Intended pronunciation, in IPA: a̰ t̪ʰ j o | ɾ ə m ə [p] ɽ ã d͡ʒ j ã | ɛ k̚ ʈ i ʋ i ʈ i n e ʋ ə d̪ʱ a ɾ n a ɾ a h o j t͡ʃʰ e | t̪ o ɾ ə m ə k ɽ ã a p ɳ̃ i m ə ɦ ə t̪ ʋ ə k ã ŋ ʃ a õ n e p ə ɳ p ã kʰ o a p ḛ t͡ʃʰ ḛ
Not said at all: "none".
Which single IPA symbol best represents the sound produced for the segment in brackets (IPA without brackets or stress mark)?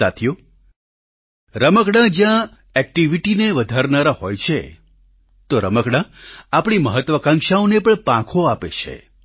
k